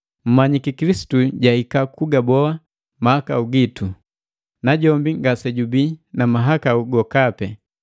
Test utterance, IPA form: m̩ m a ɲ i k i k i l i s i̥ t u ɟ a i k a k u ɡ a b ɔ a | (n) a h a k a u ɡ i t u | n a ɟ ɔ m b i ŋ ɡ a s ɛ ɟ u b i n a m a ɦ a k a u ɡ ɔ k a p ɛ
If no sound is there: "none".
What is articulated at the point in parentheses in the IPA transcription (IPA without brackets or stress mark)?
m